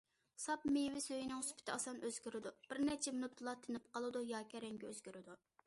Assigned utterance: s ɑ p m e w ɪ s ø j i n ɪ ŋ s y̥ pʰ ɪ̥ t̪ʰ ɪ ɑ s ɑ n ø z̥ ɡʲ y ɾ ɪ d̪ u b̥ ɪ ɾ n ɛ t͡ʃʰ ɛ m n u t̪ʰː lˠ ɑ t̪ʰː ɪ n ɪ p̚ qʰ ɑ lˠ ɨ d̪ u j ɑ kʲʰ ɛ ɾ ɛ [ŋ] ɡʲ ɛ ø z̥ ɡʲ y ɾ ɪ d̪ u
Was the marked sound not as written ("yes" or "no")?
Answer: no